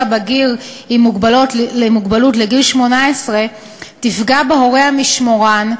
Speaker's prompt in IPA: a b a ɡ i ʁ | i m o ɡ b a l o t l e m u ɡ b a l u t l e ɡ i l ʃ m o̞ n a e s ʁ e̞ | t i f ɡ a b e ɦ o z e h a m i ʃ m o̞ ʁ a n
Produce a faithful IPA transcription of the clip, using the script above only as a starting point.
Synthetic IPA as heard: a b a ɡ i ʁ | i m u ɡ b a l o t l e m u ɡ b a l u t l e ɡ i l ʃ m o̞ n a e s ʁ e̞ | t i f ɡ a b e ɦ o ʁ e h a m i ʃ m o̞ ʁ a n